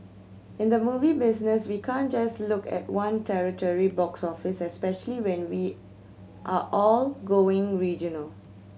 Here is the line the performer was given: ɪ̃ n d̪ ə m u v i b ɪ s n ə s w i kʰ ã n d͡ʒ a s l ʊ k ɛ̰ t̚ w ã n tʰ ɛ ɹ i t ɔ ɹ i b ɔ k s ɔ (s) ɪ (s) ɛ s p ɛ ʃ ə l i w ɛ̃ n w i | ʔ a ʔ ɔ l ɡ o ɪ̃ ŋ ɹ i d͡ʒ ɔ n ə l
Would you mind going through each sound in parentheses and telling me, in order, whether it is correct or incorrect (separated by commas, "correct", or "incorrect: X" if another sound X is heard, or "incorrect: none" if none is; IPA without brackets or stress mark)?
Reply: incorrect: f, correct